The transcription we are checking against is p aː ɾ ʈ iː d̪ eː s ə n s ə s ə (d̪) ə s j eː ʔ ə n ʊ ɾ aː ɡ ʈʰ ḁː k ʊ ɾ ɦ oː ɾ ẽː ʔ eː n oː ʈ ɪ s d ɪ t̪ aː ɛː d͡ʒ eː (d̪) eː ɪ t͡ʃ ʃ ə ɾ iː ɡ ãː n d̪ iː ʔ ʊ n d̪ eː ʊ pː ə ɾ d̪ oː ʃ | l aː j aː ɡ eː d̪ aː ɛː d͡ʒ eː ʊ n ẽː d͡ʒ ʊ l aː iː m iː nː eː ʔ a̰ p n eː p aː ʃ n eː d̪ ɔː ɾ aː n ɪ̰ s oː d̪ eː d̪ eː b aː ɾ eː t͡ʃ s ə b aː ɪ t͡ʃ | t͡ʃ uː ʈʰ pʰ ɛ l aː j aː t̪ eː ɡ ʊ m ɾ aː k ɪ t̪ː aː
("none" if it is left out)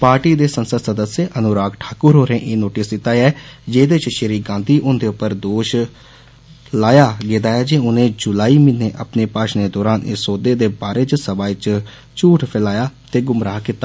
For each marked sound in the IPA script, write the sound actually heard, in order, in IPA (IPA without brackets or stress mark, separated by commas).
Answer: d̪, d̪